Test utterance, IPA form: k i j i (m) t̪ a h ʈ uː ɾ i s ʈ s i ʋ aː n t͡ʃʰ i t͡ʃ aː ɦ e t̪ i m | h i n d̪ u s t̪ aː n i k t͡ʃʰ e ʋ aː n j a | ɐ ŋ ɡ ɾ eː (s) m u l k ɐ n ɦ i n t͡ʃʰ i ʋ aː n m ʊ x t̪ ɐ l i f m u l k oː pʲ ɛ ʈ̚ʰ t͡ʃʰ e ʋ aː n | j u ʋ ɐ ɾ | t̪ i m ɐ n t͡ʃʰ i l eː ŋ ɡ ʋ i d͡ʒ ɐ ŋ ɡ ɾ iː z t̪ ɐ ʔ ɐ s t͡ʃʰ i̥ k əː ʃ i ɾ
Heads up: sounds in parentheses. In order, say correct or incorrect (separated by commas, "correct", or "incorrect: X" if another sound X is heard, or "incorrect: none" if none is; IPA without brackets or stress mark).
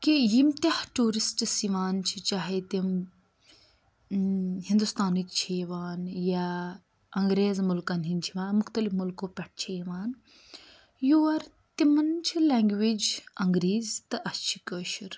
correct, incorrect: z